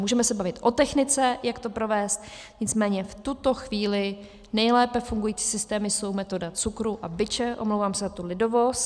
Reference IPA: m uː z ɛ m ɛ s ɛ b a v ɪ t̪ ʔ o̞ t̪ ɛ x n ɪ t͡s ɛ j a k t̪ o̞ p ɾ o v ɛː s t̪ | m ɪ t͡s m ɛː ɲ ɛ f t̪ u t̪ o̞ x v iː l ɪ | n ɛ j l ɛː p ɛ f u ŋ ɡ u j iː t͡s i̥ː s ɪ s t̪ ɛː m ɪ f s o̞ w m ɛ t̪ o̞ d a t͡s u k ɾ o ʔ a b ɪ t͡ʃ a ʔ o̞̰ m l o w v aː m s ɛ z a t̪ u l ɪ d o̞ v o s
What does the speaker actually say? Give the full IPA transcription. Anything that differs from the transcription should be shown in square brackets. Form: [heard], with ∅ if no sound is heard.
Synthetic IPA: m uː [ʒ] ɛ m ɛ s ɛ b a v ɪ t̪ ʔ o̞ t̪ ɛ x n ɪ t͡s ɛ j a k t̪ o̞ p ɾ o v ɛː s t̪ | [ɲ] ɪ t͡s m ɛː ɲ ɛ f t̪ u t̪ o̞ x v iː l ɪ | n ɛ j l ɛː p ɛ f u ŋ ɡ u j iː t͡s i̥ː s ɪ s t̪ ɛː m ɪ [∅] s o̞ w m ɛ t̪ o̞ d a t͡s u k ɾ [u] ʔ a b ɪ t͡ʃ [ɛ] ʔ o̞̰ m l o w v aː m s ɛ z a t̪ u l ɪ d o̞ v o s

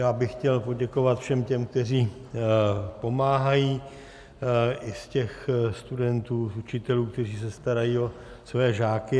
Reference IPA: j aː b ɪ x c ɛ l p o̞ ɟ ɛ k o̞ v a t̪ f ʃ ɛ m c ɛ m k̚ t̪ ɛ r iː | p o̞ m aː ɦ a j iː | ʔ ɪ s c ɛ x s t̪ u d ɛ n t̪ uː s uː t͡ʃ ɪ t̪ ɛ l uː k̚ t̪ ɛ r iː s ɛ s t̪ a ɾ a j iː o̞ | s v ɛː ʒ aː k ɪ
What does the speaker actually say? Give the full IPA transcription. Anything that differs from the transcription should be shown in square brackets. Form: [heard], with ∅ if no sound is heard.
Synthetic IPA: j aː b ɪ x c ɛ l p o̞ ɟ ɛ k o̞ v a t̪ f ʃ ɛ m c ɛ m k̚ t̪ ɛ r iː | p o̞ m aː ɦ a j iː | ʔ ɪ s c ɛ x s t̪ u d ɛ n t̪ uː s [u] t͡ʃ ɪ t̪ ɛ l uː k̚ t̪ ɛ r iː s ɛ s t̪ a ɾ a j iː o̞ | s v ɛː ʒ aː k ɪ

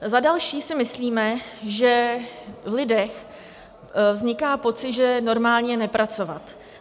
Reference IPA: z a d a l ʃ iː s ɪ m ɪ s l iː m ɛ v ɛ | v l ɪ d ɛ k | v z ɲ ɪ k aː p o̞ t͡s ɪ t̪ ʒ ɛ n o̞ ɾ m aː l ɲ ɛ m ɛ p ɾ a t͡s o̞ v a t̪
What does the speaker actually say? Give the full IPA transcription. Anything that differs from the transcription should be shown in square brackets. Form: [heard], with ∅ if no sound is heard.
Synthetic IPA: z a d a l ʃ iː s ɪ m ɪ s l iː m ɛ [ʒ] ɛ | v l ɪ d ɛ [x] | v z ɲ ɪ k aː p o̞ t͡s ɪ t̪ ʒ ɛ n o̞ ɾ m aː l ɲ ɛ [n] ɛ p ɾ a t͡s o̞ v a t̪

